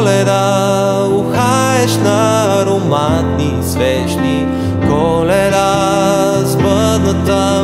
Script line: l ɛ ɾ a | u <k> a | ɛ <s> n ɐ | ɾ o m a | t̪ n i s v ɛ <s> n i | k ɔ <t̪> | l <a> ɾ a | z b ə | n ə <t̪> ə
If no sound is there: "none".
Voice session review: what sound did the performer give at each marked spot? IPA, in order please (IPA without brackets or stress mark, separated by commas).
x, ʃ, ʃ, none, ɛ, t̪